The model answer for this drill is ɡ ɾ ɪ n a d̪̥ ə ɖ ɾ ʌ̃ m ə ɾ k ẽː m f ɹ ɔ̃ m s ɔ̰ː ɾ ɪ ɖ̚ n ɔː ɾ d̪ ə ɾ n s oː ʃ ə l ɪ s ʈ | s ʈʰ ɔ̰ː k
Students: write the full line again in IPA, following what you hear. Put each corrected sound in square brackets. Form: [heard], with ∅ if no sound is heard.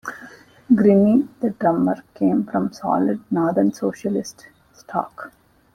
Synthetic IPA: ɡ ɾ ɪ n [i] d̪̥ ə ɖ ɾ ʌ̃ m ə ɾ k ẽː m f [ɾ] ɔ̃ m s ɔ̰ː [l] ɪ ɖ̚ n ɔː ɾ d̪ ə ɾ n s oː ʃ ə l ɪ s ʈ | s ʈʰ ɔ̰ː k